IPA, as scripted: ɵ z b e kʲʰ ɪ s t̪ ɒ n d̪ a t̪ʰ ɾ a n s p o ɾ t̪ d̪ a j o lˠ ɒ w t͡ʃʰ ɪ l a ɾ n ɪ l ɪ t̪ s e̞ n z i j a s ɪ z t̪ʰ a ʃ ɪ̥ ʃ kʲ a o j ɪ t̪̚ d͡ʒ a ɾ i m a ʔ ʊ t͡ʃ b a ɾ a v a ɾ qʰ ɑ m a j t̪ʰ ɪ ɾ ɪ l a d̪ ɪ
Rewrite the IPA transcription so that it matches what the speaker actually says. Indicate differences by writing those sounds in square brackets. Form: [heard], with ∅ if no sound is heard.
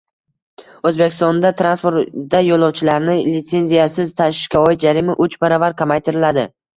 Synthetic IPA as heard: ɵ z b e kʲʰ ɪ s t̪ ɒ n d̪ a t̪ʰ ɾ a n s p o ɾ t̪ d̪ a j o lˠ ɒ w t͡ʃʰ ɪ l a ɾ n ɪ l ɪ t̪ s e̞ n z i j a s ɪ z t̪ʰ a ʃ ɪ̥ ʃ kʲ a [ɒ] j ɪ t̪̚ d͡ʒ a ɾ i m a ʔ ʊ t͡ʃ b a ɾ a v a ɾ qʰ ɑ m a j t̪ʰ ɪ ɾ ɪ l a d̪ ɪ